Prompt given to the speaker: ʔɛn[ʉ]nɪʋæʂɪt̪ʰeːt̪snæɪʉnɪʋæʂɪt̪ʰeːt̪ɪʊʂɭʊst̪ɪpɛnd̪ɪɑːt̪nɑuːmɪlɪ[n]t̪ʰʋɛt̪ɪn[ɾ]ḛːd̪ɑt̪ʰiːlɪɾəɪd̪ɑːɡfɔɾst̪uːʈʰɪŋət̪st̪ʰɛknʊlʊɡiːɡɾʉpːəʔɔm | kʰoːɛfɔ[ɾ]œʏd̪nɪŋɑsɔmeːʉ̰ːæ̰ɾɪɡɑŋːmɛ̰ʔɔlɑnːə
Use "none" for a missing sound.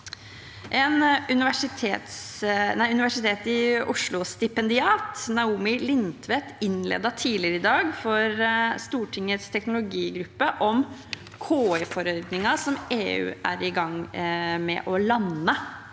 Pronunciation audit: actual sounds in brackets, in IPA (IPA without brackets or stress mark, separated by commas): ʉ, n, l, ɾ